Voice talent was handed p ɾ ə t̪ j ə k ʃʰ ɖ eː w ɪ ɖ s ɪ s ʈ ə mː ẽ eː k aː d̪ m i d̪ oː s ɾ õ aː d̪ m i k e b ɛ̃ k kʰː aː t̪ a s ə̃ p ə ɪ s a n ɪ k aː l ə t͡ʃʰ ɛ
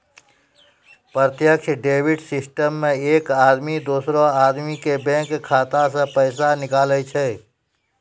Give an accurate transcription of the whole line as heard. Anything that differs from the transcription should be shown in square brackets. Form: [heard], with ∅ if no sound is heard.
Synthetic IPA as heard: p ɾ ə t̪ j ə k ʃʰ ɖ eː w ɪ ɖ s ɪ s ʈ ə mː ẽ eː k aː d̪ m i d̪ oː s ɾ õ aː d̪ m i k e b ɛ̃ k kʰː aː t̪ a s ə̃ p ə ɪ s a n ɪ k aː l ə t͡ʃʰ ɛ

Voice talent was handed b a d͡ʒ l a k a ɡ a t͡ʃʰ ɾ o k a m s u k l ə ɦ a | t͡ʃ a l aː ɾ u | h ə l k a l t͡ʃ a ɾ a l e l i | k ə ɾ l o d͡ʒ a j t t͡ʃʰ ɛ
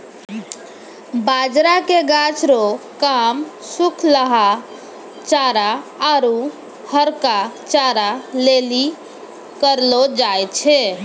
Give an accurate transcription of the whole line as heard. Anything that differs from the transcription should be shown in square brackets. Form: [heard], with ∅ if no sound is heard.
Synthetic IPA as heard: b a d͡ʒ [ɾ] a k [e] ɡ a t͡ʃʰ ɾ o k a m s u [kʰ] l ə ɦ a | t͡ʃ a [ɾ] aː ɾ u | h ə [ɾ] k a [∅] t͡ʃ a ɾ a l e l i | k ə ɾ l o d͡ʒ a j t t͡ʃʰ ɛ

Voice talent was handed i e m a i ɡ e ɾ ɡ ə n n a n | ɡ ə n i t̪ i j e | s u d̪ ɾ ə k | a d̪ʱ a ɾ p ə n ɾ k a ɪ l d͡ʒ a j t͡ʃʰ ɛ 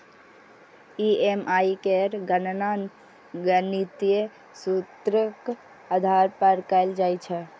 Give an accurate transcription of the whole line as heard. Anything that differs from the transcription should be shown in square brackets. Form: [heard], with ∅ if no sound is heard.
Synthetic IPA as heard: i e m a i [k] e ɾ ɡ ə n n a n | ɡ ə n i t̪ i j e | s u [t̪] ɾ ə k | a d̪ʱ a ɾ p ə [∅] ɾ k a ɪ l d͡ʒ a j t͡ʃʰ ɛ

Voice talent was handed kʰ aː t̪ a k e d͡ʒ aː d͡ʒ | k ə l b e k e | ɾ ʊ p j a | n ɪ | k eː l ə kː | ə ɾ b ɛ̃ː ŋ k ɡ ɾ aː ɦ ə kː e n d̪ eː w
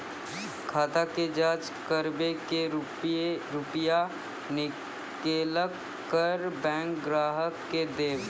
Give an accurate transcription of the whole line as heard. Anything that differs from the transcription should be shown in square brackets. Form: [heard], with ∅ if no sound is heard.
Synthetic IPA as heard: kʰ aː t̪ a k e d͡ʒ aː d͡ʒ | k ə [ɾ] b e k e | ɾ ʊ p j a | n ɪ | k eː l ə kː | ə ɾ b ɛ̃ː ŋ k ɡ ɾ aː ɦ ə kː e [∅] d̪ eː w

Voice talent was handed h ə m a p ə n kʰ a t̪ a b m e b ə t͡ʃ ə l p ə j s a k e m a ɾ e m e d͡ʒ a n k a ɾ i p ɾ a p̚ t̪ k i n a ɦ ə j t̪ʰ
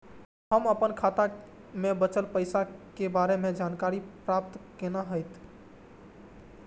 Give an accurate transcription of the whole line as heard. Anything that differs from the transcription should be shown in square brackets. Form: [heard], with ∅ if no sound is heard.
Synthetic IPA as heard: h ə m [ə] p ə n kʰ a t̪ a [∅] m e b ə t͡ʃ ə l p ə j s a k e [b] a ɾ e m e d͡ʒ a n k a ɾ i p ɾ a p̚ t̪ k [e] n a ɦ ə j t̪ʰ

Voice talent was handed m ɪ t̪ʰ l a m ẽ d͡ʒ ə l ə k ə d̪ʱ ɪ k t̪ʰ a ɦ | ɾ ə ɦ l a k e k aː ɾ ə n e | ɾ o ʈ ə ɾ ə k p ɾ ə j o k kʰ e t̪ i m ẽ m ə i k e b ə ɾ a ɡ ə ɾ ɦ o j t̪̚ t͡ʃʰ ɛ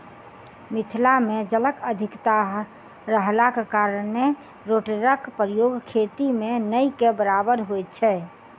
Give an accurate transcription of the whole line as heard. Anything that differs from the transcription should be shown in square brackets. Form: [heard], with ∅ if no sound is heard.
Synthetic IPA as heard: m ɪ t̪ʰ l a m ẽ d͡ʒ ə l ə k ə d̪ʱ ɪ k [t̪] a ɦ | ɾ ə ɦ l a k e k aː ɾ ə n e | ɾ o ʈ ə ɾ ə k p ɾ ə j o [ɡ] kʰ e t̪ i m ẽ [n] ə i k e b ə ɾ a [b] ə ɾ ɦ o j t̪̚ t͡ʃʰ ɛ

